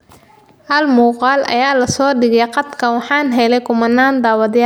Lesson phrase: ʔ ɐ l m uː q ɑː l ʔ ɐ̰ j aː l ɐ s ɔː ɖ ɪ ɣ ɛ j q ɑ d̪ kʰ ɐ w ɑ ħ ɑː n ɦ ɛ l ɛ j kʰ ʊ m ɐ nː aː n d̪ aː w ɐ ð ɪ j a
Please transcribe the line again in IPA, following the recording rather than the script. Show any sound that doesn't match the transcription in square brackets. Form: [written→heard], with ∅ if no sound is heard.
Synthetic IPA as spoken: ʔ ɐ l m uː q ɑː l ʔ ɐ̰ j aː l ɐ s ɔː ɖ ɪ ɣ ɛ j q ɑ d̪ kʰ ɐ w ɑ ħ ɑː n ɦ ɛ l ɛ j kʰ ʊ m ɐ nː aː n d̪ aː w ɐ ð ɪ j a